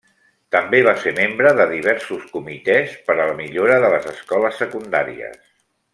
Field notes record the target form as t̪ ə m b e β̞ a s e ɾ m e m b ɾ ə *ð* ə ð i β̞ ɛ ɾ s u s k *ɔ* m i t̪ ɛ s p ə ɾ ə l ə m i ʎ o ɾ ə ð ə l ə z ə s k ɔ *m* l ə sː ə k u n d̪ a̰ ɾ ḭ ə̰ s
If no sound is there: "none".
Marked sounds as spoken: ð, u, none

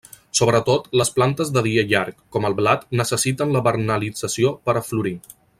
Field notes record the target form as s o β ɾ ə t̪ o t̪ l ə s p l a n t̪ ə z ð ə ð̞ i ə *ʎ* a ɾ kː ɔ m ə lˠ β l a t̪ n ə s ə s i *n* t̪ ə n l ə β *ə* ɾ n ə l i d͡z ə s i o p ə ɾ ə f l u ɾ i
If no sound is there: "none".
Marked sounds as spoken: ʎ, none, ə

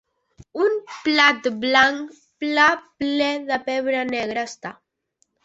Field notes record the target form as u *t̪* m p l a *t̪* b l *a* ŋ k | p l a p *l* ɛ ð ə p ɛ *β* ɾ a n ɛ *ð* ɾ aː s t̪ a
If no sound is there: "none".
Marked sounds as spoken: none, t̪, a, l, β, ɣ

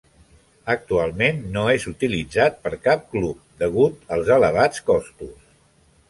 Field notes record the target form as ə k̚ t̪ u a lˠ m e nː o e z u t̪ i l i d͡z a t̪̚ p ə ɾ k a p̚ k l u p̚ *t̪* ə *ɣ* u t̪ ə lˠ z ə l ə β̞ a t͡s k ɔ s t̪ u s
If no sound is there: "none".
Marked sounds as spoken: d̪, ɣ

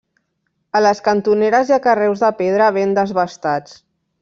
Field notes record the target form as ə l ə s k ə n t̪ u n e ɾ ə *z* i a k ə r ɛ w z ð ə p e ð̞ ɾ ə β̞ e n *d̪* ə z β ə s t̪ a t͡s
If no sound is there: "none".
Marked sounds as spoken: z, d̪

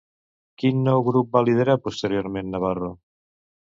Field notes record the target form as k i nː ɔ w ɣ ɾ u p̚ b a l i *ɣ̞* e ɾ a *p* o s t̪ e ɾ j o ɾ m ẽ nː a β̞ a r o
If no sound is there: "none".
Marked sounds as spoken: ð̞, p

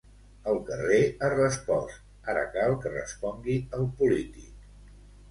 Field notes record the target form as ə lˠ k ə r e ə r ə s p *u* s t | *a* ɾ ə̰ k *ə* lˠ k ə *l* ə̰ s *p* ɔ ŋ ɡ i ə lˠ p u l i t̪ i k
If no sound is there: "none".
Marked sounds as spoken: ɔ, a, a, r, p

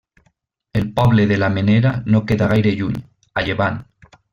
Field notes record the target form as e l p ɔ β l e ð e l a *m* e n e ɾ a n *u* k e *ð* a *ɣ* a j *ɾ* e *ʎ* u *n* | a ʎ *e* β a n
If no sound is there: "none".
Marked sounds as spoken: m, o, ð, ɣ, ɾ, ʎ, ɲ, e

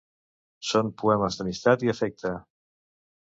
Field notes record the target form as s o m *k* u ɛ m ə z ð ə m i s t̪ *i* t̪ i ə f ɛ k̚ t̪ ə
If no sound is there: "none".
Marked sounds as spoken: p, a

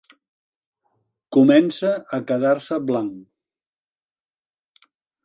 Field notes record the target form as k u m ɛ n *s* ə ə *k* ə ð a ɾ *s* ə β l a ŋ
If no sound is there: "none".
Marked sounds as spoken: s, k, s

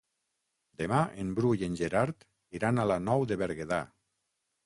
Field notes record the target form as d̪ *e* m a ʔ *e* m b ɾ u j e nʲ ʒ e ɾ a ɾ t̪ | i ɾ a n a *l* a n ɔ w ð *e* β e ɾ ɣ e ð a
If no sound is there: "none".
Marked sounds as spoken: e, e, l, e

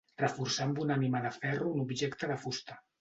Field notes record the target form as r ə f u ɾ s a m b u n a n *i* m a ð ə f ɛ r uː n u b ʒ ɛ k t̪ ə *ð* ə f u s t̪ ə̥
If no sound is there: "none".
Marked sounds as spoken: i, ð

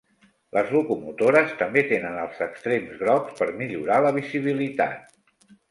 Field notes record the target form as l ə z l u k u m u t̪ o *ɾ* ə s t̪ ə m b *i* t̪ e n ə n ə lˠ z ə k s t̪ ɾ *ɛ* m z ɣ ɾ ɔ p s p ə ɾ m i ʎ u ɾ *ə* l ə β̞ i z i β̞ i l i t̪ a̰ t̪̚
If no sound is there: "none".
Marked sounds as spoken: ɾ, e, e, a

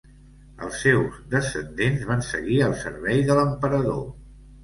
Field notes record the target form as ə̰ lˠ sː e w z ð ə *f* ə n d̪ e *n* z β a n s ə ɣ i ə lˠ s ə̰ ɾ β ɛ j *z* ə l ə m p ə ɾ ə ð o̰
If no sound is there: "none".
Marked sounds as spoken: s, n, ð

